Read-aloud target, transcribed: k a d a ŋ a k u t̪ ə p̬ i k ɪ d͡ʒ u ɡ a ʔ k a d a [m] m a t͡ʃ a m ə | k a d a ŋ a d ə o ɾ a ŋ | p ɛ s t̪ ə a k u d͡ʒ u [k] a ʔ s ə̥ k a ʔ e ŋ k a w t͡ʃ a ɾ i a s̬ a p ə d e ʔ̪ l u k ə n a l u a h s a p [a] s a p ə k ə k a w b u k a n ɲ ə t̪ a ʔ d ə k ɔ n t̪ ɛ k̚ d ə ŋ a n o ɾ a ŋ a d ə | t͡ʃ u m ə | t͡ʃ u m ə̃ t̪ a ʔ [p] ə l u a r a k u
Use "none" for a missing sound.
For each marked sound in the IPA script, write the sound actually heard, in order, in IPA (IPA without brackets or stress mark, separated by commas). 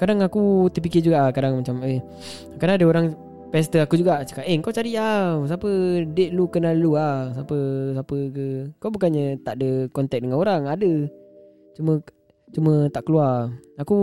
ŋ, ɡ, ə, k